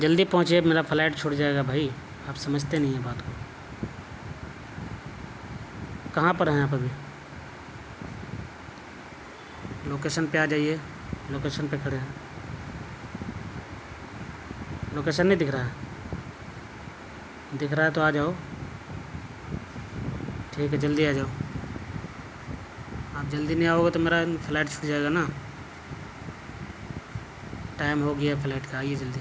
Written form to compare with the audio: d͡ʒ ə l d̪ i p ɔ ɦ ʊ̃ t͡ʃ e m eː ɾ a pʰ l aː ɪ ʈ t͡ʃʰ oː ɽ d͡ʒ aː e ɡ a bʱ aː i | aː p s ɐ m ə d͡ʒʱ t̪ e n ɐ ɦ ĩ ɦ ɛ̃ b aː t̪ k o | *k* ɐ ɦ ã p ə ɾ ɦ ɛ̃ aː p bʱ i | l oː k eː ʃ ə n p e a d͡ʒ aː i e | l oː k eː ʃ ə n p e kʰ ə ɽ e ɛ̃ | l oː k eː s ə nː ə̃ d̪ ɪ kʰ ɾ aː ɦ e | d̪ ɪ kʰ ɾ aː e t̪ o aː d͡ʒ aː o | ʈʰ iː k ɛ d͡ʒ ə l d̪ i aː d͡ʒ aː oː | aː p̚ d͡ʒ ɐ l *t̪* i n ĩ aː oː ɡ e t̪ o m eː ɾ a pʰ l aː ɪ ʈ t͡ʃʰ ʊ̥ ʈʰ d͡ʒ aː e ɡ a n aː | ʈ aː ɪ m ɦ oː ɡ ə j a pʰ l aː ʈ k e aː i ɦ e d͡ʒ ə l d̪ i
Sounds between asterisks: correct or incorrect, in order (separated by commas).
correct, incorrect